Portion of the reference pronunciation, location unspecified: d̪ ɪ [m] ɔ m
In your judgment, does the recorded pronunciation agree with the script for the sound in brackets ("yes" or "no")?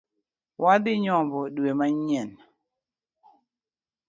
no